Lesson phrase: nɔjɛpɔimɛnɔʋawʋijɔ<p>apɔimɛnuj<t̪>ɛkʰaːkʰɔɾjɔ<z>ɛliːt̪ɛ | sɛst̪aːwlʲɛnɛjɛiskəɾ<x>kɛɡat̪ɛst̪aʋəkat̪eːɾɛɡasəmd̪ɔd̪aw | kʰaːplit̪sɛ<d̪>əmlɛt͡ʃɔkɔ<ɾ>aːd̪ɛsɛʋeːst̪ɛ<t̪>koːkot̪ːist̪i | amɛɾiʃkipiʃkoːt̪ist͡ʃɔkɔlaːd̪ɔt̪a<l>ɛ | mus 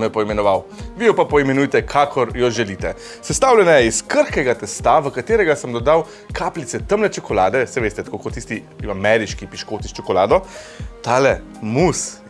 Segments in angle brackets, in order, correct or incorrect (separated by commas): correct, correct, incorrect, correct, incorrect, incorrect, correct, correct